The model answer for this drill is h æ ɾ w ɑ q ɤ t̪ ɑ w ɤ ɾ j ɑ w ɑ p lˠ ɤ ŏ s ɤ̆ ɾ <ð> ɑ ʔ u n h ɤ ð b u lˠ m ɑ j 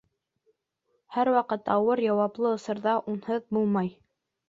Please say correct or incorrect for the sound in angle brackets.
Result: correct